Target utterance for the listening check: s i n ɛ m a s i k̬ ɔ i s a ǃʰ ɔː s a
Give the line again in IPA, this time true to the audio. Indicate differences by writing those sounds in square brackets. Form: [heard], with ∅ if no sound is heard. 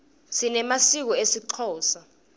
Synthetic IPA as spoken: s i n ɛ m a s i k̬ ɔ [e] s [i] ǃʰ ɔː s a